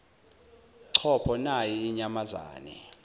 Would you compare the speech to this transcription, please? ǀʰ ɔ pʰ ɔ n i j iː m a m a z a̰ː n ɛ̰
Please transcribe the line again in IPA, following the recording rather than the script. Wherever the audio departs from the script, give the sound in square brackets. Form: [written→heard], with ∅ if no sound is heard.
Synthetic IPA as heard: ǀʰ ɔ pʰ ɔ n [i→a] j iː [m→ɲ] a m a z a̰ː n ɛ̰

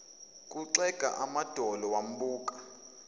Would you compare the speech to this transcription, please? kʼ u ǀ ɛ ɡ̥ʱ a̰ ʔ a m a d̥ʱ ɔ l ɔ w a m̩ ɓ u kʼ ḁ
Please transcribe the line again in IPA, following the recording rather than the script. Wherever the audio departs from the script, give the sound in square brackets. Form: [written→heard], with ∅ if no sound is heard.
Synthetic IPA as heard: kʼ u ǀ ɛ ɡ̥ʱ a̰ ʔ a m a d̥ʱ ɔ l ɔ w a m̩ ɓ [u→uː] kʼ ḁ

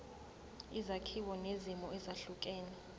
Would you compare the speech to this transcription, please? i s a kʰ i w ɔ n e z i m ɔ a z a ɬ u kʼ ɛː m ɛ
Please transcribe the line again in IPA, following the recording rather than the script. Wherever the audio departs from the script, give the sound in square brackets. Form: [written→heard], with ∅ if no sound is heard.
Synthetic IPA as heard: i [s→z] a kʰ i w ɔ n e z i m ɔ [a→ɛ] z a ɬ u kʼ ɛː [m→n] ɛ

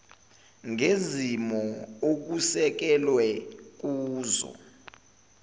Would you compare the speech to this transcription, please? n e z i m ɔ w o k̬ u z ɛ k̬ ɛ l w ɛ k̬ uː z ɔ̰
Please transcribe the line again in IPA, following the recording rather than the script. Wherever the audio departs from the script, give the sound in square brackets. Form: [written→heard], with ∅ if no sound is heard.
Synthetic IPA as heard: [n→ŋ] e z i m ɔ [w→∅] o k̬ u [z→s] ɛ k̬ ɛ l w ɛ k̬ uː z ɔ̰

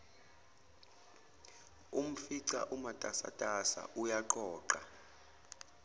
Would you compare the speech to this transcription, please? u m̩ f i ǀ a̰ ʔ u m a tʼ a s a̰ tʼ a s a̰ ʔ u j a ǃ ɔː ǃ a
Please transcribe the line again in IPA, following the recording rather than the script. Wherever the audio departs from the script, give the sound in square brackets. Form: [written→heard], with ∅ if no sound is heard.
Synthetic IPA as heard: u m̩ f i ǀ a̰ ʔ u m a tʼ a s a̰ tʼ a s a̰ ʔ u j a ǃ ɔː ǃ a

